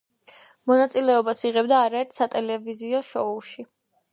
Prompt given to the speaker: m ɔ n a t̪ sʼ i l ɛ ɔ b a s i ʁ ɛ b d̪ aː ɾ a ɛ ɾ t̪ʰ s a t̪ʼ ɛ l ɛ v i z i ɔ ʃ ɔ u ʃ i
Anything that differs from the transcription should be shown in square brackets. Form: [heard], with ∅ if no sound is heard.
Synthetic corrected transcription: m ɔ n a t̪ sʼ i l ɛ ɔ b a s i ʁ ɛ b d̪ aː ɾ a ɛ ɾ t̪ʰ s a t̪ʼ ɛ l ɛ v i z i ɔ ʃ ɔ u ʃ i